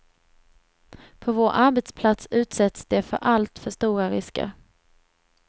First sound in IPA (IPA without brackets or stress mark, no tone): pʰ